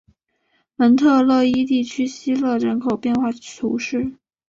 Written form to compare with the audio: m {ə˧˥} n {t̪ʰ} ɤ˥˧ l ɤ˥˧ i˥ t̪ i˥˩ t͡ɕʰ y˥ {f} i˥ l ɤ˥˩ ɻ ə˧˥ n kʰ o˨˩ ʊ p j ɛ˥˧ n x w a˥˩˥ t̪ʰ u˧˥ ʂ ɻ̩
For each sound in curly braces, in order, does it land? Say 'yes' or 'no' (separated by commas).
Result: yes, yes, no